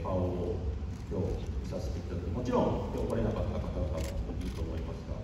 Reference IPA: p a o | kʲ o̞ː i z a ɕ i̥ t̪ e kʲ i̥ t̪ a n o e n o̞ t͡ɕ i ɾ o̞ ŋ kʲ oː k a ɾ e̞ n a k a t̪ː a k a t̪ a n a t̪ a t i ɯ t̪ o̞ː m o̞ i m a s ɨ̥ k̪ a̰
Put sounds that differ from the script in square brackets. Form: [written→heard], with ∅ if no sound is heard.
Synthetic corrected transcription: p a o | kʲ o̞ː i [z→s] a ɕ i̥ t̪ e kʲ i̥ t̪ a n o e [n→m] o̞ t͡ɕ i ɾ [o̞→õ̞] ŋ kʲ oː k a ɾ e̞ n a k a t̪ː a k a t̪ a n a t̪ a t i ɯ t̪ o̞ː m o̞ i m a s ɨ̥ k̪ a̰